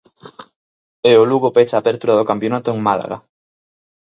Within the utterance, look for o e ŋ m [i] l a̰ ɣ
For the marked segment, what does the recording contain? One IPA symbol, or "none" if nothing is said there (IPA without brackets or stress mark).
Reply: a